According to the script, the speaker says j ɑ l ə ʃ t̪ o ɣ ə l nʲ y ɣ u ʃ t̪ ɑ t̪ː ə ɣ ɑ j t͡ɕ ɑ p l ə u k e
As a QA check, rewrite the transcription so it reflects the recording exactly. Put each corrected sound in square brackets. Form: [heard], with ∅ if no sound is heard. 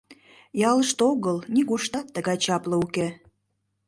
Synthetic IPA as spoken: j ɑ l ə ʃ t̪ o ɣ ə l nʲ [i] ɣ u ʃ t̪ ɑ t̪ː ə ɣ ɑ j t͡ɕ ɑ p l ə u k e